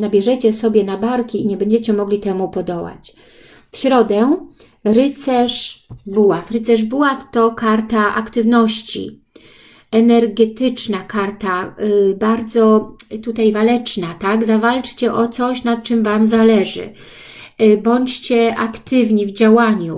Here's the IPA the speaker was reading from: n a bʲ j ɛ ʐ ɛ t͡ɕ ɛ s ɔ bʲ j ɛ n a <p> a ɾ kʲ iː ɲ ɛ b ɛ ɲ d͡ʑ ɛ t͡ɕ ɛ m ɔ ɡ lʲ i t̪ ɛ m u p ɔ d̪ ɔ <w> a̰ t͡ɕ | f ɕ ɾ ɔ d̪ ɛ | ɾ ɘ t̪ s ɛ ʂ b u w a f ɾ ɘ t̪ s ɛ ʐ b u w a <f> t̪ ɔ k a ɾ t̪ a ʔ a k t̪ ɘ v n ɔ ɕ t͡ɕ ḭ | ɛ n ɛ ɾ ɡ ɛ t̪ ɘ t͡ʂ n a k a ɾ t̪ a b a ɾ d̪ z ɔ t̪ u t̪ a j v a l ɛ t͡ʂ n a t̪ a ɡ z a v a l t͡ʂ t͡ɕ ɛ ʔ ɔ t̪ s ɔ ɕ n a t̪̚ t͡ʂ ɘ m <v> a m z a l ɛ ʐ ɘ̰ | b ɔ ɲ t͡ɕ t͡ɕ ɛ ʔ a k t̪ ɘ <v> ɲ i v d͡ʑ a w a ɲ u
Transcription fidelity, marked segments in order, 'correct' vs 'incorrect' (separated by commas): incorrect, correct, correct, correct, correct